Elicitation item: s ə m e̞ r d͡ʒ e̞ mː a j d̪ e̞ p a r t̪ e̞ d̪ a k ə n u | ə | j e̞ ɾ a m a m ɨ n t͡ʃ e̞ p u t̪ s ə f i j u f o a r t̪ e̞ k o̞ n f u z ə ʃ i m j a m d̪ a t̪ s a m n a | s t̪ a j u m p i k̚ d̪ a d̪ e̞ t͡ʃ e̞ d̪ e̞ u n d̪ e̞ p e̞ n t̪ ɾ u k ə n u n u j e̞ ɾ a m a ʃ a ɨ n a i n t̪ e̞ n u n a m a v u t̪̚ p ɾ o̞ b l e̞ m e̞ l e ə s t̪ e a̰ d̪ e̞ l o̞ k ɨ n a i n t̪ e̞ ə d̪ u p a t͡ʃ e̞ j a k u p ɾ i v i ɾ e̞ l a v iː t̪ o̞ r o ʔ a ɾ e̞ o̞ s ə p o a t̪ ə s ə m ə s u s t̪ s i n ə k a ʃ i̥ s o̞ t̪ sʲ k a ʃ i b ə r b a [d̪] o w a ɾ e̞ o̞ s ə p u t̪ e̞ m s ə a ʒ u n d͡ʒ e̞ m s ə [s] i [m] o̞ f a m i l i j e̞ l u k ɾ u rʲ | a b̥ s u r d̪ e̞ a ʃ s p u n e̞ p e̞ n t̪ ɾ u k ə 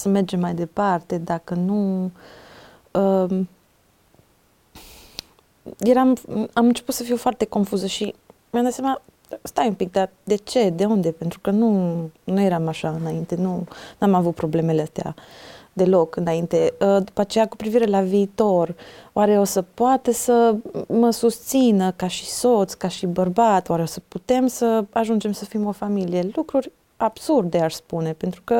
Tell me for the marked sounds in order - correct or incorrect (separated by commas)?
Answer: incorrect, incorrect, correct